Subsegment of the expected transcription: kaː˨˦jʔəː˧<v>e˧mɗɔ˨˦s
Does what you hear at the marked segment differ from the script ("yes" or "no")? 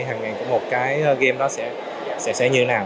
yes